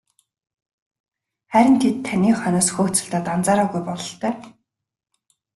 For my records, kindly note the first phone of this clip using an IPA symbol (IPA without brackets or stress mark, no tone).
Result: χ